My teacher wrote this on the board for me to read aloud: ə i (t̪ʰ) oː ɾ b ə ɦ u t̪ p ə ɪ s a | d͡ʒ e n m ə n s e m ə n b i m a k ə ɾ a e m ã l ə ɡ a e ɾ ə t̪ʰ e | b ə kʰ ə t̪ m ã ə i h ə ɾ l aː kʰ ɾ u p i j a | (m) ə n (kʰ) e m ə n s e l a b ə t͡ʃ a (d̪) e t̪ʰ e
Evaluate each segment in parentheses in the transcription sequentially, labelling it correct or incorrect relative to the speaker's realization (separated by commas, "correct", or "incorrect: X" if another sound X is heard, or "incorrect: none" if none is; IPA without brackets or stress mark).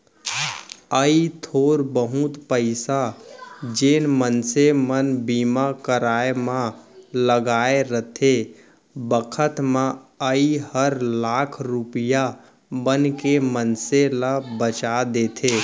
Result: correct, incorrect: b, incorrect: k, correct